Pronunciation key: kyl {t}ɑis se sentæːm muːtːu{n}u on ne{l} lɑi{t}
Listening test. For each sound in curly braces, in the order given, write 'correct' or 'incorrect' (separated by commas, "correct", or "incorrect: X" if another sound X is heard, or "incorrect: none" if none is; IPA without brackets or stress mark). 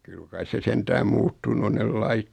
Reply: incorrect: k, correct, correct, correct